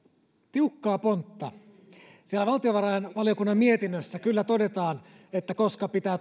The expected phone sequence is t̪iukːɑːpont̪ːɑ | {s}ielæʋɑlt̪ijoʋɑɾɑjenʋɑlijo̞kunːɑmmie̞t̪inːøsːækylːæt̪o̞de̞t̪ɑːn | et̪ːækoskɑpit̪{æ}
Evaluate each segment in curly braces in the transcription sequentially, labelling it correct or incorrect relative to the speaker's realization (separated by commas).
correct, incorrect